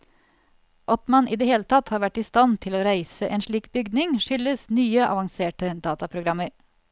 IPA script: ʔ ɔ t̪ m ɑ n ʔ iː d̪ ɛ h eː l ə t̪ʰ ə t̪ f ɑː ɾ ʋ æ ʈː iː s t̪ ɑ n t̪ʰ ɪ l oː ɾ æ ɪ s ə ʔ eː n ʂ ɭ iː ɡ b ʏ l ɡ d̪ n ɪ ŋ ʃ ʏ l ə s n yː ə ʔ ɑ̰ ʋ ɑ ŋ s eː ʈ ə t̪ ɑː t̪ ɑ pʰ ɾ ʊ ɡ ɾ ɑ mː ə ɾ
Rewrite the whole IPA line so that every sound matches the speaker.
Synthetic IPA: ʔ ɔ t̪ m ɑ n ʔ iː d̪ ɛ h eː l ə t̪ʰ ɑ t̪ h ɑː ɾ ʋ æ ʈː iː s t̪ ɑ n t̪ʰ ɪ l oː ɾ æ ɪ s ə ʔ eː n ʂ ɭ iː k b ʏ ɡ d̪ n ɪ ŋ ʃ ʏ l ə s n yː ə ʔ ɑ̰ ʋ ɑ ŋ s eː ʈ ə d̪ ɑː t̪ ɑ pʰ ɾ ʊ ɡ ɾ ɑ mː ə ɾ